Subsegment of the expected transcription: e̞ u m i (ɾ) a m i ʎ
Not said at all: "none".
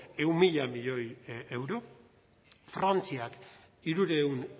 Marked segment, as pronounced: ʎ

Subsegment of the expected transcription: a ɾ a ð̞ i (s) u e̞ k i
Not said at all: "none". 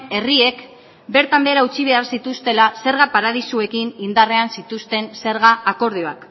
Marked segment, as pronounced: s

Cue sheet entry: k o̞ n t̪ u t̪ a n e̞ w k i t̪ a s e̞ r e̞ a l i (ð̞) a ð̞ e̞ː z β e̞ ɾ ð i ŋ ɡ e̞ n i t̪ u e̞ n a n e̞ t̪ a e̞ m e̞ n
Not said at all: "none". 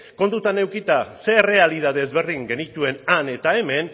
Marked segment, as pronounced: ð̞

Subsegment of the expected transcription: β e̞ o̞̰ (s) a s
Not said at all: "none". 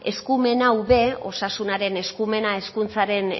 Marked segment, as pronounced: s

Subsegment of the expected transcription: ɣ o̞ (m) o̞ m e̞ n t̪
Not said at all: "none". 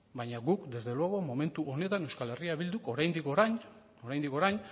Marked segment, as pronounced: m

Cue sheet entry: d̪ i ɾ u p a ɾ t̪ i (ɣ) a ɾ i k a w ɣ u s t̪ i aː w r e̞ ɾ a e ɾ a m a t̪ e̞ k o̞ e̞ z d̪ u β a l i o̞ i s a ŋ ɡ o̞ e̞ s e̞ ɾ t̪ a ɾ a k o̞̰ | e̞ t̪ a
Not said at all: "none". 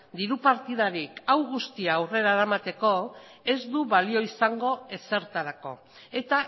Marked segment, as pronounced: ð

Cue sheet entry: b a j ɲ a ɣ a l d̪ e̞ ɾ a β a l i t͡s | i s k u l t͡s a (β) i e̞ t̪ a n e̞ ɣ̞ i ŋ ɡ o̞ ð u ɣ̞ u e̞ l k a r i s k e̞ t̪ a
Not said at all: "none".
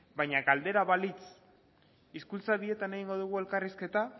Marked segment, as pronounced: β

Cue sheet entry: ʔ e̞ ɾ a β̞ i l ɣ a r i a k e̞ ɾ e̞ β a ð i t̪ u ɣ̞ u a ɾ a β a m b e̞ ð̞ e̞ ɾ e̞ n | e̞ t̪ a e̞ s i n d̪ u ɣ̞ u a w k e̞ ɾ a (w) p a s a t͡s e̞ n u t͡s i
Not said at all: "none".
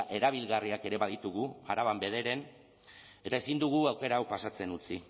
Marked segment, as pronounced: w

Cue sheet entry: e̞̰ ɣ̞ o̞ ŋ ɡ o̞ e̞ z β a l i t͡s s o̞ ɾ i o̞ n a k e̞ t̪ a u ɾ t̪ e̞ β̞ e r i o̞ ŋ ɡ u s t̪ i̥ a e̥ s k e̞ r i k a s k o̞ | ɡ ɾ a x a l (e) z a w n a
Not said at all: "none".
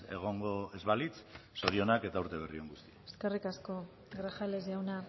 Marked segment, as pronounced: e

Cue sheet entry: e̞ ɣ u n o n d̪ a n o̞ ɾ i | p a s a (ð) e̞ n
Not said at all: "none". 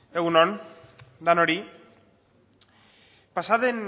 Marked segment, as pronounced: ð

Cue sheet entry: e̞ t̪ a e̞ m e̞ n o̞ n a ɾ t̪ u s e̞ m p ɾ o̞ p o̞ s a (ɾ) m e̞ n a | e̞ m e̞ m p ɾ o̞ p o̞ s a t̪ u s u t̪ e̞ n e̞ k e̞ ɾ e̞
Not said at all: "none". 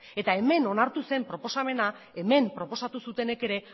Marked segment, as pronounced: none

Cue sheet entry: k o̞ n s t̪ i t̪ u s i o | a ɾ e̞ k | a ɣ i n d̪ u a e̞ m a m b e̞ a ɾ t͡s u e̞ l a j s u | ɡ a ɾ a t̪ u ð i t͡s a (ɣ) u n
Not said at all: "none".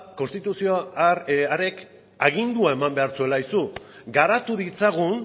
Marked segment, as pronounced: ɣ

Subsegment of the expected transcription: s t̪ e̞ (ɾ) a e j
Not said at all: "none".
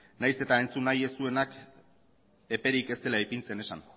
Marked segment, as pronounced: l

